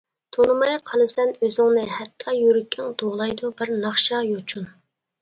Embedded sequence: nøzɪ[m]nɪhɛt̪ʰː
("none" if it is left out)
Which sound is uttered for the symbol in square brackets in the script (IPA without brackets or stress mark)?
ŋ